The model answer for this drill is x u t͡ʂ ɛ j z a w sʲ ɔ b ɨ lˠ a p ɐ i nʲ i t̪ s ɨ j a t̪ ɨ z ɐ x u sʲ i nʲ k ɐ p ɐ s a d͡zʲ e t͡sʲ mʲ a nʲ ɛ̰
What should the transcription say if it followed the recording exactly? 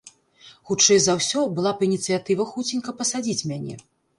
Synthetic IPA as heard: x u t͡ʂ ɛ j z a w sʲ ɔ b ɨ lˠ a p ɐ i nʲ i t̪ s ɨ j a t̪ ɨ v ɐ x u t͡sʲ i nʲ k ɐ p ɐ s a d͡zʲ i t͡sʲ mʲ a nʲ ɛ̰